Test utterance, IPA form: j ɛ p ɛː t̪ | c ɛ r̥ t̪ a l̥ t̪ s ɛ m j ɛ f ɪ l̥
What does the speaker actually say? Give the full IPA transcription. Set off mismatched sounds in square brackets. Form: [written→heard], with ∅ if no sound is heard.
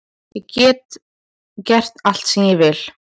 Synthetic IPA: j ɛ [p→c] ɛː t̪ | c ɛ r̥ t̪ a l̥ t̪ s ɛ m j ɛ [f→v] ɪ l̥